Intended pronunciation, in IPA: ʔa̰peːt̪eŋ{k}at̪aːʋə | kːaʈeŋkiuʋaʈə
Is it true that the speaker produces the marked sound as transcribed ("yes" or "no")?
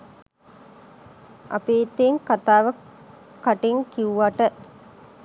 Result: yes